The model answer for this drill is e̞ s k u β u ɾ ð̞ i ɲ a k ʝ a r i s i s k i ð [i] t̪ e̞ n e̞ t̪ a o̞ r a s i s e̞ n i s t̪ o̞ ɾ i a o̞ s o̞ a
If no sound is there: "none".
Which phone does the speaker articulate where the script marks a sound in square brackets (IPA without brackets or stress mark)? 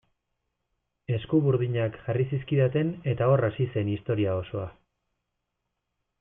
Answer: a